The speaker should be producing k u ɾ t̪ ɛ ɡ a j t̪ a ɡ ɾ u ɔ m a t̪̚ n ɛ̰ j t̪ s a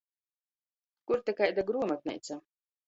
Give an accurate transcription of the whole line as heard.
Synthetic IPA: k u ɾ t̪ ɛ k a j d̪ a ɡ ɾ u ɔ m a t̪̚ n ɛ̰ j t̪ s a

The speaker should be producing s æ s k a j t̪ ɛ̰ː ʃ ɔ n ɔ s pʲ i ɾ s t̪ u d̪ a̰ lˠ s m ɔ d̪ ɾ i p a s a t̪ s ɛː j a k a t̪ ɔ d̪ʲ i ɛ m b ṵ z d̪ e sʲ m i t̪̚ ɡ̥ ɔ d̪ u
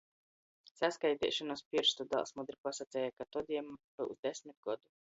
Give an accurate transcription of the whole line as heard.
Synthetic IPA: s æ s k a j t̪ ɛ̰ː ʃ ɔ n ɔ s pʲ i ɾ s t̪ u d̪ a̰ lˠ s m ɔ d̪ ɾ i p a s a t̪ s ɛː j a k a t̪ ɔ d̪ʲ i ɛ m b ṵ z d̪ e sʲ m i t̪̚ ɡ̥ ɔ d̪ u

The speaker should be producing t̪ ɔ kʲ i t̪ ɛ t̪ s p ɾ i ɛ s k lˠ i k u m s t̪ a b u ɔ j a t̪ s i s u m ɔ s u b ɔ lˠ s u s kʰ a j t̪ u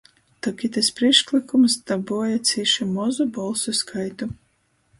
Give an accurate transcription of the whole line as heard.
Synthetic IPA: t̪ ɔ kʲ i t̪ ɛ s p ɾ i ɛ ʃ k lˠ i k u m s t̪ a b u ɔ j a t̪ s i ʃ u m ɔ z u b ɔ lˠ s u s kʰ a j t̪ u

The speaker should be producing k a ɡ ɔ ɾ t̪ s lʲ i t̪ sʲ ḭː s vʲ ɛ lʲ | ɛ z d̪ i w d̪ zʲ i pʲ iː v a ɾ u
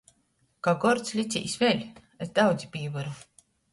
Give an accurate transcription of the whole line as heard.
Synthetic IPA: k a ɡ ɔ ɾ t̪ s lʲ i t̪ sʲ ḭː s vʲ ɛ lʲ | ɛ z d̪ a w d̪ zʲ i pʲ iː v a ɾ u

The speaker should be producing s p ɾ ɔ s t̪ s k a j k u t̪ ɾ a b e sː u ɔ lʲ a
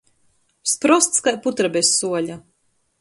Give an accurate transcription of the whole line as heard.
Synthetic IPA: s p ɾ ɔ s t̪ s k a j p u t̪ ɾ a b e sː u ɔ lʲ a

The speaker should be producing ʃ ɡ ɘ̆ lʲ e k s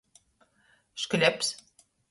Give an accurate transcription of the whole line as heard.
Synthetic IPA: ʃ k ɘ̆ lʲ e p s

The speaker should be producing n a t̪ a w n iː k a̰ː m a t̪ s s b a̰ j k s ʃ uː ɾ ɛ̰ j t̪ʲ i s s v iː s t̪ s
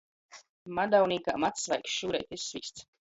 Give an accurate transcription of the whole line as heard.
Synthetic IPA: m a d̪ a w n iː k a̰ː m a t̪ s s v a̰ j k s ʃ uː ɾ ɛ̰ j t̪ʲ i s s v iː s t̪ s

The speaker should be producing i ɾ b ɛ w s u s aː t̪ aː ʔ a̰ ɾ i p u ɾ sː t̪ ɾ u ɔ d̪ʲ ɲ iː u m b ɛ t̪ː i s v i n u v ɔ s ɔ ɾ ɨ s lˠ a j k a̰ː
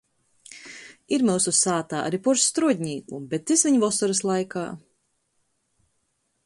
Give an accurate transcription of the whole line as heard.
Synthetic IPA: i ɾ m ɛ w s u s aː t̪ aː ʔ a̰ ɾ i p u ɾ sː t̪ ɾ u ɔ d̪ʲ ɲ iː u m b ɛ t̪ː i s v i ɲ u v ɔ s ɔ ɾ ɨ s lˠ a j k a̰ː

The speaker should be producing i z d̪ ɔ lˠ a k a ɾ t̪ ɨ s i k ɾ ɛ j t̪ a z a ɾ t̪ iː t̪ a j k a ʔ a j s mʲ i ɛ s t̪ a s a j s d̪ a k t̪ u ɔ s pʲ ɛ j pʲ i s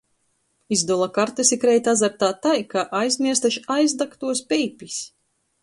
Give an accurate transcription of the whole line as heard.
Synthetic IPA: i z d̪ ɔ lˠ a k a ɾ t̪ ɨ s i k ɾ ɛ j t̪ a z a ɾ t̪ aː t̪ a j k a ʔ a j z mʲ i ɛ s t̪ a ʃ a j z d̪ a k t̪ u ɔ s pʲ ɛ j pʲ i s

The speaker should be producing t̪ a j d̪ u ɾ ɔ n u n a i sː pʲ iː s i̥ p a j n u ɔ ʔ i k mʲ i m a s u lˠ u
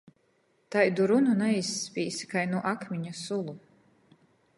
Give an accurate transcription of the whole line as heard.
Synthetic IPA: t̪ a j d̪ u ɾ u n u n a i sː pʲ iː s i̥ k a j n u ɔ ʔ a k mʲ i ɲ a s u lˠ u

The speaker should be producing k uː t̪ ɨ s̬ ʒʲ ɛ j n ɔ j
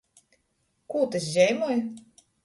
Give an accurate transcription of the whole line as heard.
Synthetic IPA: k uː t̪ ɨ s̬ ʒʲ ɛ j m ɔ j

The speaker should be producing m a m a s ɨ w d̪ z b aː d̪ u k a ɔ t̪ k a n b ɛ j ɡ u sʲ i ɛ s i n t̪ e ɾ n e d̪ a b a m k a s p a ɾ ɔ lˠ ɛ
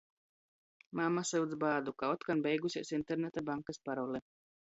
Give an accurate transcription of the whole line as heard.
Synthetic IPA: m a m a s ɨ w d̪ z b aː d̪ u k a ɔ t̪ k a n b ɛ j ɡ u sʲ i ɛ s i n t̪ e ɾ n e t̪ a b a ŋ k a s p a ɾ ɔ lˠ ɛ

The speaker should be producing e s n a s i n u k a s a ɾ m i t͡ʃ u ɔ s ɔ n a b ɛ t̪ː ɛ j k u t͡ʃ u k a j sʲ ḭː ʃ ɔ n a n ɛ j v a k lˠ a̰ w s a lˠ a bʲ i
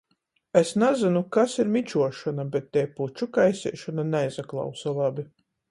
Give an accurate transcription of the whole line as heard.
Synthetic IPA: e s n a z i n u k a s i ɾ m i t͡ʃ u ɔ ʃ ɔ n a b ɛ t̪ː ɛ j p u t͡ʃ u k a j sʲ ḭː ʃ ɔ n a n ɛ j z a k lˠ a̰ w s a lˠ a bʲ i

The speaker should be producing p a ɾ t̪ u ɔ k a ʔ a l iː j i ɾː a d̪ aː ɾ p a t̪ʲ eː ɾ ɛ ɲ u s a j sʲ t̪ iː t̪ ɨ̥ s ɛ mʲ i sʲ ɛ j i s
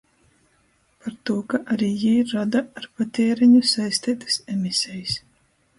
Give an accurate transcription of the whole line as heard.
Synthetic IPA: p a ɾ t̪ u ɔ k a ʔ a ɾ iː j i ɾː a d̪ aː ɾ p a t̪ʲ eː ɾ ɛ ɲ u s a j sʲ t̪ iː t̪ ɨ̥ s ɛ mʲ i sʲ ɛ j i s

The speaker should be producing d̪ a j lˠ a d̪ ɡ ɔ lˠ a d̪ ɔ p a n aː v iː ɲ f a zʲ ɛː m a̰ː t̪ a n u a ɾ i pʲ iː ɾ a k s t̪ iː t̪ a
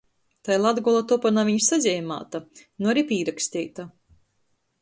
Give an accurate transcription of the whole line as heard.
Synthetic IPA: t̪ a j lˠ a d̪ ɡ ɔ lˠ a t̪ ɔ p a n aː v i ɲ s a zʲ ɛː m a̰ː t̪ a n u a ɾ i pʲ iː ɾ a k s t̪ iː t̪ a

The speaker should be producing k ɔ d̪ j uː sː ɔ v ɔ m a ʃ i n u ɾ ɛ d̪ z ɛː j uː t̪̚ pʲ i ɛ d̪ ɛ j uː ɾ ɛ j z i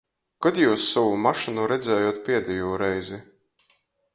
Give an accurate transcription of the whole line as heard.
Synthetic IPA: k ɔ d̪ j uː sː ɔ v u m a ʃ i n u ɾ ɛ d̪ z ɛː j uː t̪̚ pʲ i ɛ d̪ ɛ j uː ɾ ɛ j z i

